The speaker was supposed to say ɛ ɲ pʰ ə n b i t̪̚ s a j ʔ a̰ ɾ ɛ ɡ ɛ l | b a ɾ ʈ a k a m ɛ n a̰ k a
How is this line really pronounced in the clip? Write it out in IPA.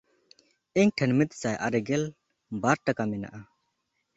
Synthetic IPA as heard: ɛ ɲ ʈʰ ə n m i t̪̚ s a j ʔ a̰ ɾ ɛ ɡ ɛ l | b a ɾ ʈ a k a m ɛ n a̰ ʔ a